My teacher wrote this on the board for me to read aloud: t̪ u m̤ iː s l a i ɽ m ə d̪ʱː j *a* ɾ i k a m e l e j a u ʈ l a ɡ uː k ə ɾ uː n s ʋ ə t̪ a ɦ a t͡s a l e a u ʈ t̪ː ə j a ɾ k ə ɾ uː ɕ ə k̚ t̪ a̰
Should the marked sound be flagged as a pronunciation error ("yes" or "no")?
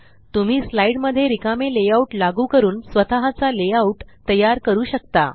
yes